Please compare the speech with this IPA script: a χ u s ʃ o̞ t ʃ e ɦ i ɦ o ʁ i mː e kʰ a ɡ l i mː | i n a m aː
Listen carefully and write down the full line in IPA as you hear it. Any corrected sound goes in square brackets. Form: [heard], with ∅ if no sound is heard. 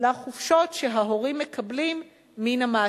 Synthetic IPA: a χ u [f] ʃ o̞ t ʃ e ɦ [a] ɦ o ʁ i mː e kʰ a [b] l i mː | i n a m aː